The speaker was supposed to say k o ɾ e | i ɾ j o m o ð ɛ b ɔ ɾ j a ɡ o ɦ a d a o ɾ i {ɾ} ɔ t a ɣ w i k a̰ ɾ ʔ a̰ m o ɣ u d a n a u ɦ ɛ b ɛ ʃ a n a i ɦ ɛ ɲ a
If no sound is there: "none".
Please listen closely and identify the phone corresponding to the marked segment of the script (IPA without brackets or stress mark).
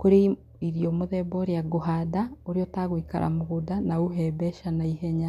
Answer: none